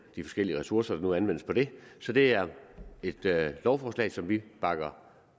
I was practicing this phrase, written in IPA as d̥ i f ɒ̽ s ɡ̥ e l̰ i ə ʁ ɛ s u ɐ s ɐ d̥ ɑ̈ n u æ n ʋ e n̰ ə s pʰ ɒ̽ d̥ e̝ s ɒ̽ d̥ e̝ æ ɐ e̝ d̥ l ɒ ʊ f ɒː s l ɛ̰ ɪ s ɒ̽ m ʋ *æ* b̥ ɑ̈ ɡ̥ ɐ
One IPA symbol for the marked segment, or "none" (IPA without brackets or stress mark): i